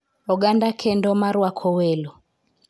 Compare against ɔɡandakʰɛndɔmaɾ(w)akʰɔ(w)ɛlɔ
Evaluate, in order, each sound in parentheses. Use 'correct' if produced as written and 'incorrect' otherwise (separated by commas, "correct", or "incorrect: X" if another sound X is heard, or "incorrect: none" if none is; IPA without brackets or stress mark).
correct, correct